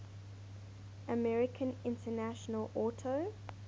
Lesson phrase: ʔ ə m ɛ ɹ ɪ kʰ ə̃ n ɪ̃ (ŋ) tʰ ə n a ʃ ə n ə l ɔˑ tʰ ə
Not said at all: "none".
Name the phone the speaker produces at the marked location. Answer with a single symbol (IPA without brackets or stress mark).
n